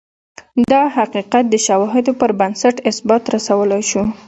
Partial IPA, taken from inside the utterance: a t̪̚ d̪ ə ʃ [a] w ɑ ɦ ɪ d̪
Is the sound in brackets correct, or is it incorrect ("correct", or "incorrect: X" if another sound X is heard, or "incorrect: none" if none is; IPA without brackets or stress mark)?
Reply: correct